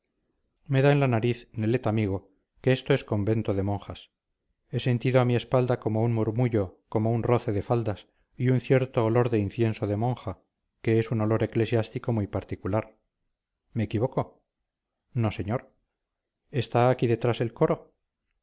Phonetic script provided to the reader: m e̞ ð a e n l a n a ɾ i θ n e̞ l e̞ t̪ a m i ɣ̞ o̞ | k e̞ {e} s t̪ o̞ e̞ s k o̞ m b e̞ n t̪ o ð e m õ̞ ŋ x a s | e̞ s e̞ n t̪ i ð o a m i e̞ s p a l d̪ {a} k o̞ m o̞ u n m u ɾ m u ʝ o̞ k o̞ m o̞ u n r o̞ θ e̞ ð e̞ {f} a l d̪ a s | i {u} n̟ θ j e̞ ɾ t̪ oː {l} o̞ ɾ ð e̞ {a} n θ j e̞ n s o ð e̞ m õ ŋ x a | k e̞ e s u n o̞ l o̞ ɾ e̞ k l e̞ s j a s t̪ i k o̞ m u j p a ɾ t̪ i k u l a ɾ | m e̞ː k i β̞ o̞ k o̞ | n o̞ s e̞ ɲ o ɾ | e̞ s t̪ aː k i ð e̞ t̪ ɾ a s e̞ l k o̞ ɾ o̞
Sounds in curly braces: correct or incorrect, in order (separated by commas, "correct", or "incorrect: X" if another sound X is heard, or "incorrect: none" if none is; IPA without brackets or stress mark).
correct, correct, correct, correct, correct, incorrect: i